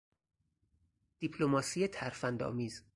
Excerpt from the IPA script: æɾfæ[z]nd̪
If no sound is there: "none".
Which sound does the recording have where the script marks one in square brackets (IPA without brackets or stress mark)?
none